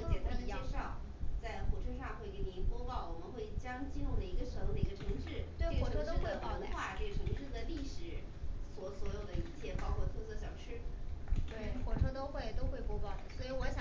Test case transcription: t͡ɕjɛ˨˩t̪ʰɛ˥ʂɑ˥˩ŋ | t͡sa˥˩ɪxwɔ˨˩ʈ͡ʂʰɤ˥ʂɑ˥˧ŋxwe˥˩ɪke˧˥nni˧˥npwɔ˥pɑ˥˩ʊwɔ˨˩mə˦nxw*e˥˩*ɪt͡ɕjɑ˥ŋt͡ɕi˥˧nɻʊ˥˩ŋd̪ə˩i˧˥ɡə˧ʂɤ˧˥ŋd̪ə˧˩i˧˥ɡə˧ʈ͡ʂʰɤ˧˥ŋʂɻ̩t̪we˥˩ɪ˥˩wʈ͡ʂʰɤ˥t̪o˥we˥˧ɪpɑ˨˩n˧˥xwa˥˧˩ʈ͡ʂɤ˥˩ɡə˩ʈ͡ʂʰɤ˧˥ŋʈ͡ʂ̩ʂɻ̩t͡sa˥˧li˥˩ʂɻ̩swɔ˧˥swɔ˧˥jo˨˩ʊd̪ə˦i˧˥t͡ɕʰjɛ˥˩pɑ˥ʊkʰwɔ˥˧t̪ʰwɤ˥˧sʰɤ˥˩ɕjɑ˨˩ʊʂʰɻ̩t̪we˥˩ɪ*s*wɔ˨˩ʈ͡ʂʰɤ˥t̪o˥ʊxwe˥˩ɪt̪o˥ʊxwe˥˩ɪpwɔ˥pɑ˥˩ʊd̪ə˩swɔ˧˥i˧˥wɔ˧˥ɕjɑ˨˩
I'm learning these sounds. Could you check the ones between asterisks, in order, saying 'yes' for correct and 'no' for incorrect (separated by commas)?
yes, no